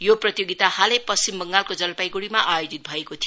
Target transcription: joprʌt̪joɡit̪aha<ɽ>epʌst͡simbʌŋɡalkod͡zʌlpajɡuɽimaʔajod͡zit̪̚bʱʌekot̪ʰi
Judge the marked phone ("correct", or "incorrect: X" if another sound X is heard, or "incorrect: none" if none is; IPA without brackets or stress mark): incorrect: l